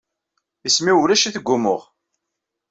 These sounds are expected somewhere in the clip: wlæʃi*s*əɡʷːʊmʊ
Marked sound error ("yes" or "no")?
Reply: yes